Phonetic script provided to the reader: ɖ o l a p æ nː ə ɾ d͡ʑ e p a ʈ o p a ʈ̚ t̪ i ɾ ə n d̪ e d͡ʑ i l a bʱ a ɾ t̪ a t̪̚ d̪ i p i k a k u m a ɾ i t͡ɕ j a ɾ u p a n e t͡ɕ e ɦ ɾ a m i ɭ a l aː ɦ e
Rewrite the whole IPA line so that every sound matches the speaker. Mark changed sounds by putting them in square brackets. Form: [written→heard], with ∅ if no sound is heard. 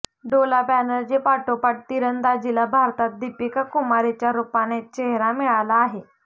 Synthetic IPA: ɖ o l a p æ [nː→n] ə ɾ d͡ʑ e p a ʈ o p a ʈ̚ t̪ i ɾ ə n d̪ [e→a] d͡ʑ i l a bʱ a ɾ t̪ a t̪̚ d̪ i p i k a k u m a ɾ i t͡ɕ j a ɾ u p a n e t͡ɕ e ɦ ɾ a m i ɭ a l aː ɦ e